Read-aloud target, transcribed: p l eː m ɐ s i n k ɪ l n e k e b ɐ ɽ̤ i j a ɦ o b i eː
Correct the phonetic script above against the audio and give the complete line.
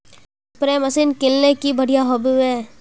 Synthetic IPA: p ɾ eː m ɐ s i n k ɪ l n e k i b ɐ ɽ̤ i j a ɦ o b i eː